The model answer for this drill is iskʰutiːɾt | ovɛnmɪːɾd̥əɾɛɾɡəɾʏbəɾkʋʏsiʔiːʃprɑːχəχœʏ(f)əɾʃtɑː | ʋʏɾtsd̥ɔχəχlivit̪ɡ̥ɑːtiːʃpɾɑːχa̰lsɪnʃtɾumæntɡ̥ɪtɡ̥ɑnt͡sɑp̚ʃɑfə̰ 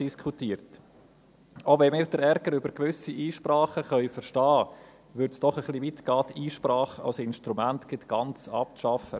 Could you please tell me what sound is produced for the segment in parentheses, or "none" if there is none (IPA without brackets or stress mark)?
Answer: f